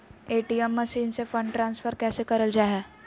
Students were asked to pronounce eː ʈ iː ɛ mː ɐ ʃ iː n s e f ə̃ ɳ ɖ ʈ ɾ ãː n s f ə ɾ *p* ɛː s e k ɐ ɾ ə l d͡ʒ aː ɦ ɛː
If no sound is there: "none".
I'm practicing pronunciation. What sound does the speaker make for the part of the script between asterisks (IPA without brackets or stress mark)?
k